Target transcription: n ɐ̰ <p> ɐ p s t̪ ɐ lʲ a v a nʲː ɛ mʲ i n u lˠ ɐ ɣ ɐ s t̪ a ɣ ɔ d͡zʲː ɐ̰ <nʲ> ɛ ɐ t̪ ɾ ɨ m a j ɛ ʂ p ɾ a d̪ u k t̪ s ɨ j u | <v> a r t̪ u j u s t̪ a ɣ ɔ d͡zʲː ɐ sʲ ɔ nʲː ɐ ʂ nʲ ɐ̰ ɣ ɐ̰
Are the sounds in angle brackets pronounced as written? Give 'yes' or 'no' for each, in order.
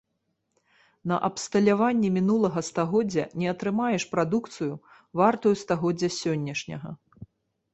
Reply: no, yes, yes

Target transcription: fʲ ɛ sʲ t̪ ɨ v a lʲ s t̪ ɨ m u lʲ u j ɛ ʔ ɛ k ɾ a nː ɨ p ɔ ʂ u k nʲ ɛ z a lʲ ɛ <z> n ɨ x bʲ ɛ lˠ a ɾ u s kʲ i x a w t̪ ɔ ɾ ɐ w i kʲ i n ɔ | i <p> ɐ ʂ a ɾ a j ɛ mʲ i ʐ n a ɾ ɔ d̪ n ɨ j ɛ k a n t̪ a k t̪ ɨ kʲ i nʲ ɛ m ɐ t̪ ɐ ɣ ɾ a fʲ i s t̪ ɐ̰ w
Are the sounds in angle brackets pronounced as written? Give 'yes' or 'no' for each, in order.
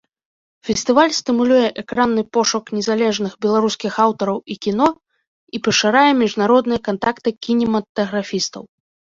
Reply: no, yes

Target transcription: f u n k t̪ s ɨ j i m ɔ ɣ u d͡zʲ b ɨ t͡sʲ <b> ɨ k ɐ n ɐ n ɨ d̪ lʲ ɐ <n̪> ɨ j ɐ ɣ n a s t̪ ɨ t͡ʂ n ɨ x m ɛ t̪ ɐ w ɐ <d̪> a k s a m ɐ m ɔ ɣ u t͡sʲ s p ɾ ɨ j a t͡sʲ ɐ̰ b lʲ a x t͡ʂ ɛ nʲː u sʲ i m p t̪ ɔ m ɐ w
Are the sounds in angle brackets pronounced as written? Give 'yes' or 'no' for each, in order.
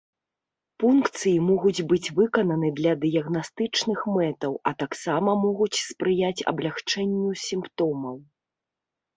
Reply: no, no, no

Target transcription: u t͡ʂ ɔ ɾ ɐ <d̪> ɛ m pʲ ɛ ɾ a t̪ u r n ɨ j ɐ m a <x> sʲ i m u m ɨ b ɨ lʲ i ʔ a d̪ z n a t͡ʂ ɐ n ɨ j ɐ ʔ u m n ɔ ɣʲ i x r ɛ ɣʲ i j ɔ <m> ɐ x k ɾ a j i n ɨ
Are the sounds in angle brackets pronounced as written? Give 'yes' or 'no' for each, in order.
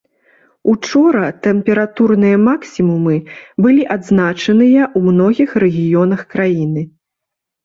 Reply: no, no, no

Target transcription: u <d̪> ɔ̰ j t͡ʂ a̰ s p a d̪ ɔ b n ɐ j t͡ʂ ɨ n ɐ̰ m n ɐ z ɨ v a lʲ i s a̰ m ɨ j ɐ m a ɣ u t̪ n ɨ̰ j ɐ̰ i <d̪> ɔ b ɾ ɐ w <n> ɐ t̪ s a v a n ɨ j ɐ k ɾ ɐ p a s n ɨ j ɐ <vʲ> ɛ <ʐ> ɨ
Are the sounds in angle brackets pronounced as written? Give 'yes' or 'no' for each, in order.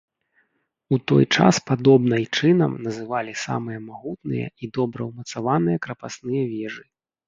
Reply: no, yes, no, yes, yes

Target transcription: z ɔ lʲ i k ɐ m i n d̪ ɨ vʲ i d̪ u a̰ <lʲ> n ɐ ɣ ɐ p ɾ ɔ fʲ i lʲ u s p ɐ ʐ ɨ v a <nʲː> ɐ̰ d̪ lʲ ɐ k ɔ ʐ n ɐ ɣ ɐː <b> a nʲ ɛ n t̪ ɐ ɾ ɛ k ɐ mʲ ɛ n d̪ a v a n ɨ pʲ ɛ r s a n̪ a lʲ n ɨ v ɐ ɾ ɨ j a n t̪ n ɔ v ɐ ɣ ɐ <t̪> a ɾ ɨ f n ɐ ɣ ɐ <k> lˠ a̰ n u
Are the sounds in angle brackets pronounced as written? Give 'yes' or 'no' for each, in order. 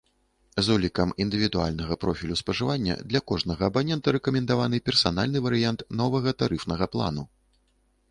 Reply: yes, yes, yes, yes, no

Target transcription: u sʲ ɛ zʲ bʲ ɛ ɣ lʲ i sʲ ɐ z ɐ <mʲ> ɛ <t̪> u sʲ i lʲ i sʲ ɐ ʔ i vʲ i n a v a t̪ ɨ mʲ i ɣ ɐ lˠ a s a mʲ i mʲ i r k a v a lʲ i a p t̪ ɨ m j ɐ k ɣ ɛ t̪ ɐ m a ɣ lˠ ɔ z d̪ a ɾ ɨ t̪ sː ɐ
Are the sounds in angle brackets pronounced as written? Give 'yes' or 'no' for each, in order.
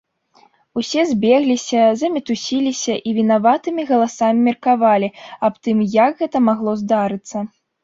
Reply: yes, yes

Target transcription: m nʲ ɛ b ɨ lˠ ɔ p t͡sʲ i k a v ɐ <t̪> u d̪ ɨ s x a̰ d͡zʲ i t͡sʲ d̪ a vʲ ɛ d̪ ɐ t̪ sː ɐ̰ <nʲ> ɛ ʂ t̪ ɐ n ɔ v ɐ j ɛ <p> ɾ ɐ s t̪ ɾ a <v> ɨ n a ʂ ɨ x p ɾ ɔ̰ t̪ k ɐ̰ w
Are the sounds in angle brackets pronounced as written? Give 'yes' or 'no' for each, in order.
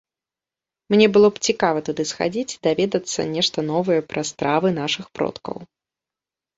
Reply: yes, yes, yes, yes

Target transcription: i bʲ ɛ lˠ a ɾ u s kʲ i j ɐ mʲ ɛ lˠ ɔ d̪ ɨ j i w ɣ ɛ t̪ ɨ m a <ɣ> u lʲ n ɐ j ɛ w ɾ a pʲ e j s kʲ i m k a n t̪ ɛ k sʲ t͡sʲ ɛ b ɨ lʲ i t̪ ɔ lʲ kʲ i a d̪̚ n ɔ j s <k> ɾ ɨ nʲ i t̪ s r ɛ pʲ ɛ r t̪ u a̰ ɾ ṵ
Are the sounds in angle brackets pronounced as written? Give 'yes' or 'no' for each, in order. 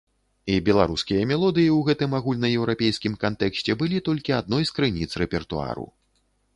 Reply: yes, yes

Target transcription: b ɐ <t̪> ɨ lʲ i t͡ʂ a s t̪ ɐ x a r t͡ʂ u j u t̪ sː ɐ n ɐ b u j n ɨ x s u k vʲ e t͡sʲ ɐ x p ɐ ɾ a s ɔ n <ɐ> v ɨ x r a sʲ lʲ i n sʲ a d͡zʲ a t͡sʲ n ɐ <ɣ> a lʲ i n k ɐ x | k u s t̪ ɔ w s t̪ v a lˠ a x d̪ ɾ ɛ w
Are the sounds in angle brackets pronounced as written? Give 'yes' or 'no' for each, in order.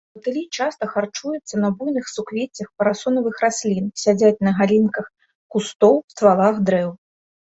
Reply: yes, yes, yes

